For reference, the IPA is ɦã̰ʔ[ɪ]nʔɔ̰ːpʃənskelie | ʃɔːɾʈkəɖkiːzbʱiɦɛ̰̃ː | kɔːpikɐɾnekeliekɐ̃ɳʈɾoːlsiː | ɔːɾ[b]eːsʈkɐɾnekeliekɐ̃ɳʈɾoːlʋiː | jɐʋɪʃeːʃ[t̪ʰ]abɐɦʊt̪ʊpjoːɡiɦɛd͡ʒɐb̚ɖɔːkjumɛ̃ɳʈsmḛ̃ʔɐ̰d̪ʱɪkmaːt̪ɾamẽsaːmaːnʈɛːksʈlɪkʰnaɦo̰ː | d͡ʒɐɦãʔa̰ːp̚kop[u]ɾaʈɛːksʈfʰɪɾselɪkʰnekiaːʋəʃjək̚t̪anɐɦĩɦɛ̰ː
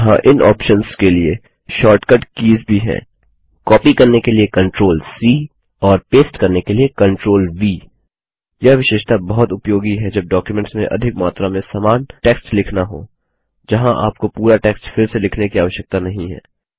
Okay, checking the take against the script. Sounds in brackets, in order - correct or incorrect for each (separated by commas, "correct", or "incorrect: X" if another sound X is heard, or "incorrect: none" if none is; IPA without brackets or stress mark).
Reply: correct, incorrect: p, incorrect: t̪, incorrect: uː